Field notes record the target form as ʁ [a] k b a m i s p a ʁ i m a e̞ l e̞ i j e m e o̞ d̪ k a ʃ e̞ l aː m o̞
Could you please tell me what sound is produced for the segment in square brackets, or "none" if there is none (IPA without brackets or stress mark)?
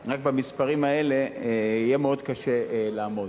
a